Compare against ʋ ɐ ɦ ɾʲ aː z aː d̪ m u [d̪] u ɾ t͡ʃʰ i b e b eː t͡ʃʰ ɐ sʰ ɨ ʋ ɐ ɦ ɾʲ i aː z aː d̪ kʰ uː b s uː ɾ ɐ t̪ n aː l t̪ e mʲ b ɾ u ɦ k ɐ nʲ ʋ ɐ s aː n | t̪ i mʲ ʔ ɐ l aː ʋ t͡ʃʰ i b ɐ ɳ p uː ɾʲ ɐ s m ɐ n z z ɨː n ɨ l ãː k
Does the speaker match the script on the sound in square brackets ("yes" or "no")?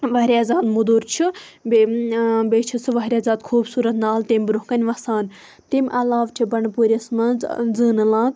yes